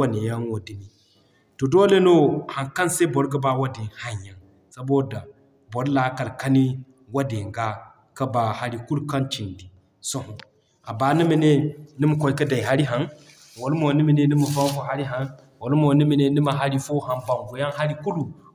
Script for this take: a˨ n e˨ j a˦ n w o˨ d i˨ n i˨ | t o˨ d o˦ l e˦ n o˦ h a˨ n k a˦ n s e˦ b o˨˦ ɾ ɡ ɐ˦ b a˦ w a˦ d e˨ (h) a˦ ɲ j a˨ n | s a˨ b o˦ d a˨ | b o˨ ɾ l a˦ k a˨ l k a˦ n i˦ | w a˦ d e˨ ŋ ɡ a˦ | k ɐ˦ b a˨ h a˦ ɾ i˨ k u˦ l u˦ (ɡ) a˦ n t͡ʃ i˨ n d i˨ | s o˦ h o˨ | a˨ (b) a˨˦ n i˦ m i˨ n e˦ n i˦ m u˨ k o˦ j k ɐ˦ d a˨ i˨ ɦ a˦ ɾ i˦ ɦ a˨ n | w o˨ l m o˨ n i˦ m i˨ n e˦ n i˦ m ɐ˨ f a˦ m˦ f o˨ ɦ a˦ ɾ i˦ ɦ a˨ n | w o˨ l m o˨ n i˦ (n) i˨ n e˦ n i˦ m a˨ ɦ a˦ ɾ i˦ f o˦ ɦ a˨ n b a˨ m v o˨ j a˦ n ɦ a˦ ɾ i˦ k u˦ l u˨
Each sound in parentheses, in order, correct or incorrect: correct, incorrect, correct, incorrect

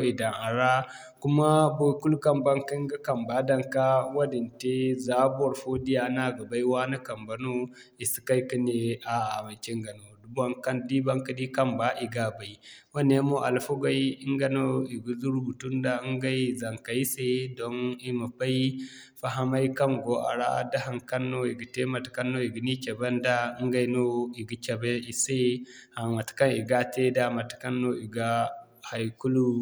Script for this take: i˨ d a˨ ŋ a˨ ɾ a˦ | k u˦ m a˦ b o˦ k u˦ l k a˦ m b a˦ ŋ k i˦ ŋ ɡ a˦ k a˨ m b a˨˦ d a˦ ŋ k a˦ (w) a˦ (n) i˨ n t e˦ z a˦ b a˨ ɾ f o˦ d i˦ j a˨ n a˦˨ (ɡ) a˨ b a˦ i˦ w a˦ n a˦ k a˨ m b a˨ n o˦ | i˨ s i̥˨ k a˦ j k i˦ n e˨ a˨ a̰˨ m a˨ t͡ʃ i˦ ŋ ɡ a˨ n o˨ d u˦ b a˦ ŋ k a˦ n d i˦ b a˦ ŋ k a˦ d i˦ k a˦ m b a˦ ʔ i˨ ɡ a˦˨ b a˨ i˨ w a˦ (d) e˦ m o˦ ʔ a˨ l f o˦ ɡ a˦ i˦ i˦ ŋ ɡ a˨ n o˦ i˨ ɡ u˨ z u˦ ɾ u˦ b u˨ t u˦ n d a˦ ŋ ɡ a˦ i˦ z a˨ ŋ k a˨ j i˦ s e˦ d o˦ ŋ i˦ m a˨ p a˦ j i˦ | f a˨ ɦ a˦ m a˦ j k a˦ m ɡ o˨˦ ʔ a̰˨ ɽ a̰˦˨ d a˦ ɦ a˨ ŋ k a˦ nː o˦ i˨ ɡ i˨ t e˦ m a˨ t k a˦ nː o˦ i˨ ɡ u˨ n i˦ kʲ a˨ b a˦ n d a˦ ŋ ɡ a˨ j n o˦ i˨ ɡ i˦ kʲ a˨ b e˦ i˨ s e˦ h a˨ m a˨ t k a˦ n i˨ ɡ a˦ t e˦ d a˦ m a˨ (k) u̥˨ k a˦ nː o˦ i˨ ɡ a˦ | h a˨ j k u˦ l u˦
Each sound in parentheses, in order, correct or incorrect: correct, incorrect, correct, incorrect, incorrect

